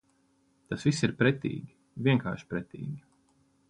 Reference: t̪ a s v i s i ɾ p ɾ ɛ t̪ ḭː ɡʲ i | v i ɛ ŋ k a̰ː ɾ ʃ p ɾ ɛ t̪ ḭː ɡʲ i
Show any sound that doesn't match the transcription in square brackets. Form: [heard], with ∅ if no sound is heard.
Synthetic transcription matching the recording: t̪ a s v i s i ɾ p ɾ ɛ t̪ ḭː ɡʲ i | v i ɛ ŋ k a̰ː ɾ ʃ p ɾ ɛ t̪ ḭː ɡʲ i